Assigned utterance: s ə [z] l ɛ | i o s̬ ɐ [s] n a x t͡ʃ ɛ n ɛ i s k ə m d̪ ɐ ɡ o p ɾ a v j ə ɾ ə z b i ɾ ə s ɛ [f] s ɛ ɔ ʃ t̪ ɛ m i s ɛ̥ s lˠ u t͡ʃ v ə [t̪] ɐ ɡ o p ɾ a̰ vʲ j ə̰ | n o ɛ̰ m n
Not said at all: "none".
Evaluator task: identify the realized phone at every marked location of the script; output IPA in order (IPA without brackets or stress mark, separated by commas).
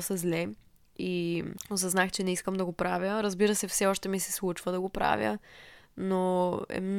z, z, f, d̪